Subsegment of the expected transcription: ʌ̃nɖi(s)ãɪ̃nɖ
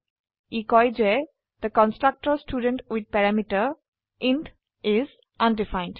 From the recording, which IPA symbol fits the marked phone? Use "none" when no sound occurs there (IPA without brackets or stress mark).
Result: f